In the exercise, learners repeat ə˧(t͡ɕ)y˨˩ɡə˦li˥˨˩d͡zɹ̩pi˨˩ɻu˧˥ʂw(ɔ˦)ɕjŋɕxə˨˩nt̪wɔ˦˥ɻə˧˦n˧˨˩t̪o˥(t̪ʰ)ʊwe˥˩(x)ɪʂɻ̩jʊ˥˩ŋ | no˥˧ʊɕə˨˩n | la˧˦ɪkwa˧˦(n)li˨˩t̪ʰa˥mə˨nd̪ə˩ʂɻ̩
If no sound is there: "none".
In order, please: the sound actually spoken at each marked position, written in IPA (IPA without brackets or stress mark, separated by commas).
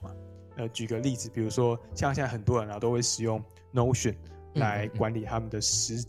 t͡ɕ, ɔ˦, none, none, n